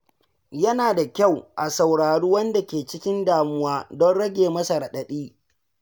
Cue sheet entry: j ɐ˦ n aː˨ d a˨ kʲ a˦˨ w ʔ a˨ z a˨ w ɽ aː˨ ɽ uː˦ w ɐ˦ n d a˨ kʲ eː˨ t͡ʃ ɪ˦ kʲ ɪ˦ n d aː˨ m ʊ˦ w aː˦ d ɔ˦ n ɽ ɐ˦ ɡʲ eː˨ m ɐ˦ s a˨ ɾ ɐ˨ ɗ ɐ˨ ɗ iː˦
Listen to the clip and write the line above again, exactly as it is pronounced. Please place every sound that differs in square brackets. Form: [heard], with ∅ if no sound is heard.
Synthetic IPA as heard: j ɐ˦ n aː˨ d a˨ kʲ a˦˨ w ʔ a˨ [s] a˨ w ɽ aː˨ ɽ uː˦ w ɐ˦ n d a˨ kʲ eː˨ t͡ʃ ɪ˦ kʲ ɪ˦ n d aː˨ m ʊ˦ w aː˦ d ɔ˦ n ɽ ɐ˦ ɡʲ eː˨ m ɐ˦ s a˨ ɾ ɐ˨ ɗ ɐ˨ ɗ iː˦